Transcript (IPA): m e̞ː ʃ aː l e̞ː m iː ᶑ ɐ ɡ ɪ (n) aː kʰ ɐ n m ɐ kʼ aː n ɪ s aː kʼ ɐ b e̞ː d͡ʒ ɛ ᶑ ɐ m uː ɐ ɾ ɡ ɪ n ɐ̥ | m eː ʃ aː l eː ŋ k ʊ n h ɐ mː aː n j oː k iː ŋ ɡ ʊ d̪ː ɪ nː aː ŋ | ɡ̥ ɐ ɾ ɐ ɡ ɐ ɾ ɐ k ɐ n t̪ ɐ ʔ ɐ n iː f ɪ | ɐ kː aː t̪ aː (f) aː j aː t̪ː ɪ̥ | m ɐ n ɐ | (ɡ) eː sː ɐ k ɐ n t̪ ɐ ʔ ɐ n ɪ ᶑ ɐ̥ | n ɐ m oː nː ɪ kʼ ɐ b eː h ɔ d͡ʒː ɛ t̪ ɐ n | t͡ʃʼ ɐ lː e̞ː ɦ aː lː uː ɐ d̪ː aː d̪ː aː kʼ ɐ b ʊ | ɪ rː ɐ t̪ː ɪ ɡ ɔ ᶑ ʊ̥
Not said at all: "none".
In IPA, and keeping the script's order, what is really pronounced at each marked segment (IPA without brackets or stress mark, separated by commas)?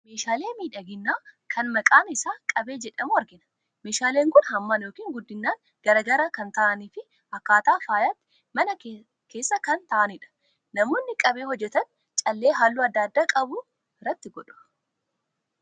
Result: nː, f, k